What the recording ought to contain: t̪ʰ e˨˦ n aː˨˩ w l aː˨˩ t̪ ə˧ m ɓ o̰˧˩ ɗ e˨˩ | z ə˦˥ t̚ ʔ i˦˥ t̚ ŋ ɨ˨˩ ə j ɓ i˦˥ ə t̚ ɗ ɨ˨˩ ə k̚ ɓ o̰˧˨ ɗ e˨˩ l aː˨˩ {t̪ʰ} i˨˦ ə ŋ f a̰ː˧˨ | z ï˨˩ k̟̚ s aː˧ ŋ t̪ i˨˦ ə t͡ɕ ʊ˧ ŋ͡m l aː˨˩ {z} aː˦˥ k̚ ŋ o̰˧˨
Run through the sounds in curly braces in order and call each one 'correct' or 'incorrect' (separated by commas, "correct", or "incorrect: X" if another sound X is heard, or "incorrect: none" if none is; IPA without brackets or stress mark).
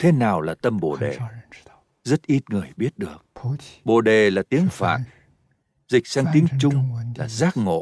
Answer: incorrect: t̪, correct